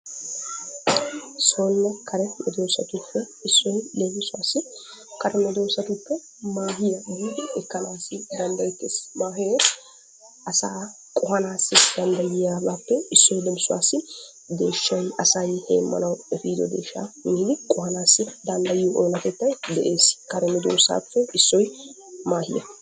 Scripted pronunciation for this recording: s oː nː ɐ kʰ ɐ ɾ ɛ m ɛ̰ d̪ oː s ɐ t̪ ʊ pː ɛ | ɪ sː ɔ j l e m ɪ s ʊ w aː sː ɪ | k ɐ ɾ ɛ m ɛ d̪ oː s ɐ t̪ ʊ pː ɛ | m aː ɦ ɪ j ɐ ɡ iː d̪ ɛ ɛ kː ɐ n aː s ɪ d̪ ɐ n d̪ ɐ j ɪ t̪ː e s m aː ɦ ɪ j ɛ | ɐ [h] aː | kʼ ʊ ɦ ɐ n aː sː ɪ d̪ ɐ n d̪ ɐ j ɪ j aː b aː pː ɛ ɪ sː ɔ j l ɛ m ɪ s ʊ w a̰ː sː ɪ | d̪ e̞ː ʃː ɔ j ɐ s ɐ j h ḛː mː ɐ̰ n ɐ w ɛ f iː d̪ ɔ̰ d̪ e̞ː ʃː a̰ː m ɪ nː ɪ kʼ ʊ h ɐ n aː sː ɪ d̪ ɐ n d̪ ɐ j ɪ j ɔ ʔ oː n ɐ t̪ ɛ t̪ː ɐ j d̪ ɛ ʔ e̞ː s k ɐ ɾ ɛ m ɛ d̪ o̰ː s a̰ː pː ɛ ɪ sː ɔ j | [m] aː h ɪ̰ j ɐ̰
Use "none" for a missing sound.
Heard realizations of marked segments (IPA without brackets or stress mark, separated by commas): s, m